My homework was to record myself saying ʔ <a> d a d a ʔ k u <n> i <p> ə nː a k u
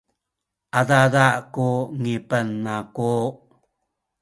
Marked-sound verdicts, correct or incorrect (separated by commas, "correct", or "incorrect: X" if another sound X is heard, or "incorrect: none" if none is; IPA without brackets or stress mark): correct, incorrect: ŋ, correct